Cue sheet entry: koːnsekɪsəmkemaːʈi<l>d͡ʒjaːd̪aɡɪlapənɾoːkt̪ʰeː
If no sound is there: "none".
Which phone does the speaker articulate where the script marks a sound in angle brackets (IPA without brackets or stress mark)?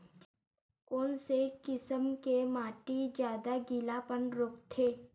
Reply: none